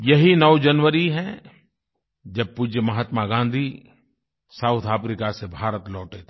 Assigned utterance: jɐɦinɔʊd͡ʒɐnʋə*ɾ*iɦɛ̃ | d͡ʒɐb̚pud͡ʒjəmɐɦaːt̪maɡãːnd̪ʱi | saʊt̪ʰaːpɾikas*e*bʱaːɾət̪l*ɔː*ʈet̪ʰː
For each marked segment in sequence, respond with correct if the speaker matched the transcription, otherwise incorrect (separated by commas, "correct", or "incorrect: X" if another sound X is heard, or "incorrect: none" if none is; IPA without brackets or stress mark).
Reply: correct, correct, correct